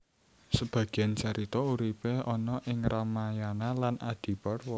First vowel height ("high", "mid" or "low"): mid